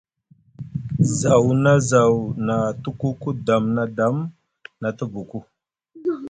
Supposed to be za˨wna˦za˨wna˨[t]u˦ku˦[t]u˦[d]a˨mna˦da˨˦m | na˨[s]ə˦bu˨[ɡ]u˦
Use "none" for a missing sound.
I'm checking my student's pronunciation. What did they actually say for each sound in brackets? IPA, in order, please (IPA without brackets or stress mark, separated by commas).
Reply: t, k, d, t, k